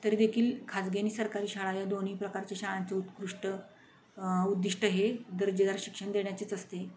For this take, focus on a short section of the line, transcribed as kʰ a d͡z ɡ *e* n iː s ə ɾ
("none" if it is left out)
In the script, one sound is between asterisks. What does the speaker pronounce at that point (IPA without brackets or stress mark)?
e